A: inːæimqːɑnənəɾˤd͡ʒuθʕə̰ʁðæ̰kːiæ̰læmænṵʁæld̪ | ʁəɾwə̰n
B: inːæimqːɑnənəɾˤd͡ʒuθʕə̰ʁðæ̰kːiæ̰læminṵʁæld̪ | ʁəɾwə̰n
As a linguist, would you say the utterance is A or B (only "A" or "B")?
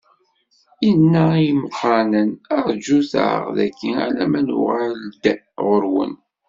A